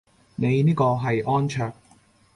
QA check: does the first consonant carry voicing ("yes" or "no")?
yes